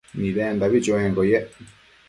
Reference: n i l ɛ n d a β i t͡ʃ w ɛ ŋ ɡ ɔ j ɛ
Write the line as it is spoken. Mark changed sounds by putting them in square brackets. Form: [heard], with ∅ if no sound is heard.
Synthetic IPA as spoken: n i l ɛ n d a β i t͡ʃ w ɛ ŋ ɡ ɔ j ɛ